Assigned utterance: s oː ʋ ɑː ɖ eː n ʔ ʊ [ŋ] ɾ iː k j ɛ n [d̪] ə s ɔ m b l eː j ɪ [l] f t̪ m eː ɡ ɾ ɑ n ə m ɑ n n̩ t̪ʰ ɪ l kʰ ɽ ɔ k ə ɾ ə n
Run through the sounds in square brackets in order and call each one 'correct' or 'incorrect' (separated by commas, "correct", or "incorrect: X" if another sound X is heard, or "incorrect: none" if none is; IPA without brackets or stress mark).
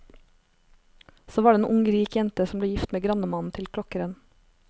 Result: correct, incorrect: t̪, incorrect: none